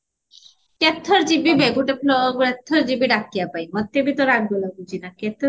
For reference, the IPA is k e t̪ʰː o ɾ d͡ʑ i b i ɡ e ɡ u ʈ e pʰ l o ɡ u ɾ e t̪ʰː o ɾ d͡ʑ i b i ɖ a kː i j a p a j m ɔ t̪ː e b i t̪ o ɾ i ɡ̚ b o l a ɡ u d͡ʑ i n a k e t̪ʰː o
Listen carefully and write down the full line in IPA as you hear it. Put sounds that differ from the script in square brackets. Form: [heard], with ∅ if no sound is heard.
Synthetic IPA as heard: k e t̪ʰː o ɾ d͡ʑ i b i [b] e ɡ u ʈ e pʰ l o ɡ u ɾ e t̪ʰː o ɾ d͡ʑ i b i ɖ a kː i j a p a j m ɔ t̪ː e b i t̪ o ɾ [a] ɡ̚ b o l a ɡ u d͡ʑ i n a k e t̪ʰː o